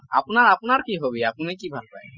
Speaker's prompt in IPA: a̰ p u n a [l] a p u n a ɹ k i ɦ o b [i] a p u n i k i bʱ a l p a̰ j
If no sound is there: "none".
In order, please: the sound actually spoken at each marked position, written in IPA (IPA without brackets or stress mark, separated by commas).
ɹ, i